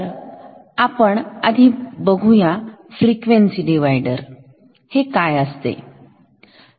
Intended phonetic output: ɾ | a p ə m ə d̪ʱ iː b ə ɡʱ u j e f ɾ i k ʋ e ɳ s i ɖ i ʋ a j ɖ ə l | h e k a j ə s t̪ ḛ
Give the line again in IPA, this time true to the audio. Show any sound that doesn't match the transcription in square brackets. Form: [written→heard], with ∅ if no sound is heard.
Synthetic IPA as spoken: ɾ | a p ə [m→ɳ] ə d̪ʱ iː b ə ɡʱ u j [e→a] f ɾ i k ʋ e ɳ s i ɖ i ʋ a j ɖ ə [l→ɾ] | h e k a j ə s t̪ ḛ